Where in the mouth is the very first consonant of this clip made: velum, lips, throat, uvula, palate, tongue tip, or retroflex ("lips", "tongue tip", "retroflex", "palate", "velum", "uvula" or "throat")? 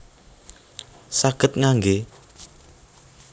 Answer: tongue tip